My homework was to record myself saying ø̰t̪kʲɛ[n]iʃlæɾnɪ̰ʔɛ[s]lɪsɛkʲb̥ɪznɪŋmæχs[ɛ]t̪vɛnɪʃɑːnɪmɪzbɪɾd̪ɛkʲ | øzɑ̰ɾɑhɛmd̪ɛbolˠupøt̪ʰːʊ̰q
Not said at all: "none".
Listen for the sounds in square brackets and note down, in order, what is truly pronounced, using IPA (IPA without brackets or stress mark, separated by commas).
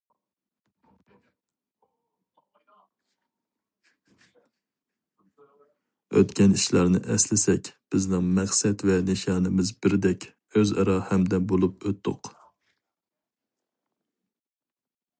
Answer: n, s, ɛ